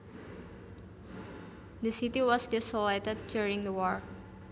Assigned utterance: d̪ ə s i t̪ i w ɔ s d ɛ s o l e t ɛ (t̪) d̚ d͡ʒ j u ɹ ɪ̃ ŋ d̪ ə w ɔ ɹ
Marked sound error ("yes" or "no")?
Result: yes